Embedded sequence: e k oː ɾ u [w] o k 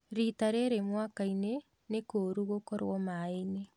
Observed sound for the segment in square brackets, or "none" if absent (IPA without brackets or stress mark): ɣ